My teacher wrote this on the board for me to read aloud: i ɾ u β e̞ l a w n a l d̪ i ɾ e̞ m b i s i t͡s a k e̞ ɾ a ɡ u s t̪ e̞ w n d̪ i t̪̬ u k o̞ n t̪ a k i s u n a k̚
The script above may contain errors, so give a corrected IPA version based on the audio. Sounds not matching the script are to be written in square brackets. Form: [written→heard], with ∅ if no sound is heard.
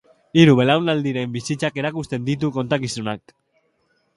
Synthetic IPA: i ɾ u β e̞ l a w n a l d̪ i ɾ e̞ m b i s i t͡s a k e̞ ɾ a [ɡ→k] u s t̪ e̞ [w→∅] n d̪ i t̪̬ u k o̞ n t̪ a k i s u n a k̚